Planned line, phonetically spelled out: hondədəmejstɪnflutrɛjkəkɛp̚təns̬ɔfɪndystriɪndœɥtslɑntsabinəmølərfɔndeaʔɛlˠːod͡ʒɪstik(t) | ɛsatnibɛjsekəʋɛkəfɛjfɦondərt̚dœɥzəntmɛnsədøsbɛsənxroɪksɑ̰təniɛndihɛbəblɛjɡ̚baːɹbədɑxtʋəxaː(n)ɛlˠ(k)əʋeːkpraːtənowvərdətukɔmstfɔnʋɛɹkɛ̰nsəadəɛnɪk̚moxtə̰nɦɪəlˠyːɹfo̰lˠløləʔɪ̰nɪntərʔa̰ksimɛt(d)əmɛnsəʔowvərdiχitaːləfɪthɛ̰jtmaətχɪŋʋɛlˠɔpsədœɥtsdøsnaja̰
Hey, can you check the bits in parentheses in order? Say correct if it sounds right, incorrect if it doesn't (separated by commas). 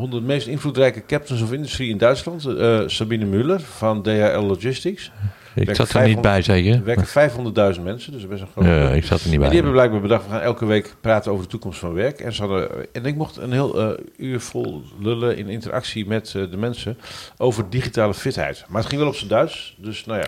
incorrect, correct, correct, correct